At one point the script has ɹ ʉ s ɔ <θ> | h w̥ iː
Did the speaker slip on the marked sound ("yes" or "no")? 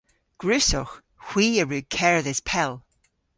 yes